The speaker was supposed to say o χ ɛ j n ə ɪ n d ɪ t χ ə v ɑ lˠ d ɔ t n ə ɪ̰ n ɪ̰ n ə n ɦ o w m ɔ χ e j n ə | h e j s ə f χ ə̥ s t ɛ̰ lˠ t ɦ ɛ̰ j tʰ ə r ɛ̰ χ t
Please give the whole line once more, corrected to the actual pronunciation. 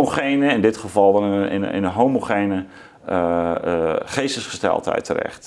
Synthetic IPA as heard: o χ e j n ə ɪ n d ɪ t χ ə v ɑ lˠ d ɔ n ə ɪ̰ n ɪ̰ n ə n ɦ o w m o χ e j n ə | χ e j s ə s χ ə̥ s t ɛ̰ lˠ t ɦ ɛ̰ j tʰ ə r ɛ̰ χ t